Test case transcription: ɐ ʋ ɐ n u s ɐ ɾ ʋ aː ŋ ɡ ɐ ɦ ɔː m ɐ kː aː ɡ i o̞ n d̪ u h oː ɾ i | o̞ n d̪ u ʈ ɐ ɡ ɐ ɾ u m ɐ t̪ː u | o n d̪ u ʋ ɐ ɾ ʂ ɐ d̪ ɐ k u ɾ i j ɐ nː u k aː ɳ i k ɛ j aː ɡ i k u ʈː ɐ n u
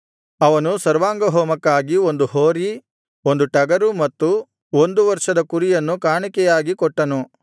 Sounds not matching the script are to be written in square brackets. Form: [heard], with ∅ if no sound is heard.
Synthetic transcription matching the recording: ɐ ʋ ɐ n u s ɐ ɾ ʋ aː ŋ ɡ ɐ ɦ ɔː m ɐ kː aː ɡ i o̞ n d̪ u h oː ɾ i | o̞ n d̪ u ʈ ɐ ɡ ɐ ɾ u m ɐ t̪ː u | o n d̪ u ʋ ɐ ɾ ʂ ɐ d̪ ɐ k u ɾ i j ɐ nː u k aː ɳ i k ɛ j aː ɡ i k [ɔ] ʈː ɐ n u